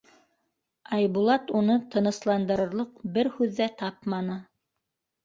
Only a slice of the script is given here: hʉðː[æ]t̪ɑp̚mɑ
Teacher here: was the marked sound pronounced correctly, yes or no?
yes